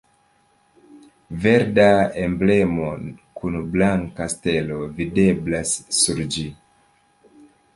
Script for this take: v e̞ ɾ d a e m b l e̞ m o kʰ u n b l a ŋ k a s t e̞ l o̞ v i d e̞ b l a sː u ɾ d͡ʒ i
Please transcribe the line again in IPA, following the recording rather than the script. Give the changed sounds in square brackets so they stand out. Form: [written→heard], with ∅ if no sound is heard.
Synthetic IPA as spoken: v e̞ ɾ d a e m b l e̞ m o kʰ u n b l a ŋ k a s t e̞ l o̞ v i d e̞ b l a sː u ɾ d͡ʒ i